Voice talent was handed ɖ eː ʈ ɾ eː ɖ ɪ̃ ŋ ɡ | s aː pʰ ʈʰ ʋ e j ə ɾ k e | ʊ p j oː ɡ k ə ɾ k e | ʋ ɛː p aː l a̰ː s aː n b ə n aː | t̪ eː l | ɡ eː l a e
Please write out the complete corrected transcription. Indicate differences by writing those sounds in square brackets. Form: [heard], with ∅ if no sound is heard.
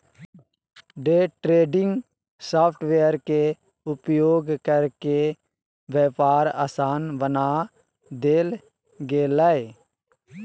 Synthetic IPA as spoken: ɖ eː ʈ ɾ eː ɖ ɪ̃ ŋ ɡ | s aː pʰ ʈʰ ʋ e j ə ɾ k e | ʊ p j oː ɡ k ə ɾ k e | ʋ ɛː p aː [ɾ] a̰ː s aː n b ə n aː | [d̪] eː l | ɡ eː l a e